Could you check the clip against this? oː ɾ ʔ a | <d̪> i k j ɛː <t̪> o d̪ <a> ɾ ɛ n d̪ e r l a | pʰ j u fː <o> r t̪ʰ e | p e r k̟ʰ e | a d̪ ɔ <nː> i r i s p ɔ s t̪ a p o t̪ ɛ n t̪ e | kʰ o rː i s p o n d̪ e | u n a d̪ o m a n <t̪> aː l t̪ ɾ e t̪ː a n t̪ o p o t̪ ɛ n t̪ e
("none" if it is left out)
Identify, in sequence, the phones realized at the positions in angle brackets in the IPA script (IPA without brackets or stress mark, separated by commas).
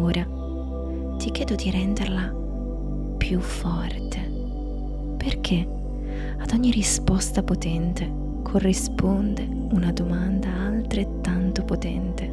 t̪, d̪, i, ɔ, ɲː, d̪